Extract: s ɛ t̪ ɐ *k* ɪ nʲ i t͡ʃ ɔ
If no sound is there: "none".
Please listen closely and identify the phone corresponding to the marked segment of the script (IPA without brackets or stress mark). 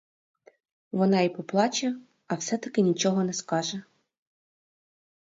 k